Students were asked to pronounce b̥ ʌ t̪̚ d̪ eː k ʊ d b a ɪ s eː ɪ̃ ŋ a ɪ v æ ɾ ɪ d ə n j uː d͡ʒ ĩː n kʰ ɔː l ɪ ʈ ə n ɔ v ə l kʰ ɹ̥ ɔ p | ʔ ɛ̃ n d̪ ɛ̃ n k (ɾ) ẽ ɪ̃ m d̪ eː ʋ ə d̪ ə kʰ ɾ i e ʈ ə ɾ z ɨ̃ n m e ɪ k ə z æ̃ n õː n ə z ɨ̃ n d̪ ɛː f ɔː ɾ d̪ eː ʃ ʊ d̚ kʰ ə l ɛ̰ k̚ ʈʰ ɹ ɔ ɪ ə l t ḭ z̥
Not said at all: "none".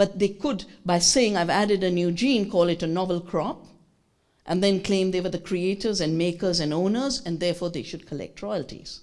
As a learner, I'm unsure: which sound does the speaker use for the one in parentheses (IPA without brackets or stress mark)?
l